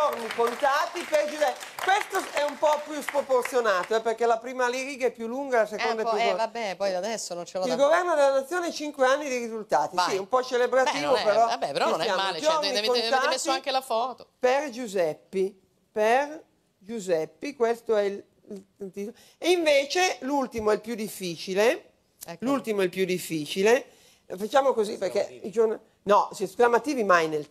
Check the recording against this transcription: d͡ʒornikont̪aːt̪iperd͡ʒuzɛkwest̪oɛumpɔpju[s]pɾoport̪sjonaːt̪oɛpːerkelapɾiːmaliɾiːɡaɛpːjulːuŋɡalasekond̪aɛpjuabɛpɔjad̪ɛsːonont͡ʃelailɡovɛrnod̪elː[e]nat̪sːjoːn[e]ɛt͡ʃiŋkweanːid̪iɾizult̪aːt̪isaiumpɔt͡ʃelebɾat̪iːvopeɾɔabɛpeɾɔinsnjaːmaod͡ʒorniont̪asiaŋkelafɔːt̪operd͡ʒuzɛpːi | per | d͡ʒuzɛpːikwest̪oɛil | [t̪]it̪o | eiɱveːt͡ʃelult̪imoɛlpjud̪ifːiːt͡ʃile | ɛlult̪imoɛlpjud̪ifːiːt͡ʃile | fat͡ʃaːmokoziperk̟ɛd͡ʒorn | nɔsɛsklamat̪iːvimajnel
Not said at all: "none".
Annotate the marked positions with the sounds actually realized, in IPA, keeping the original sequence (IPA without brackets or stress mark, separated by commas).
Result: s, a, e, t̪